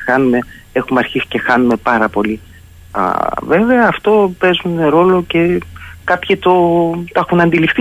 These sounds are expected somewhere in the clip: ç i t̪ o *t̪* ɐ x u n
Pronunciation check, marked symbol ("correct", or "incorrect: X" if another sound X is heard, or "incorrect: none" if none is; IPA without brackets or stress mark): correct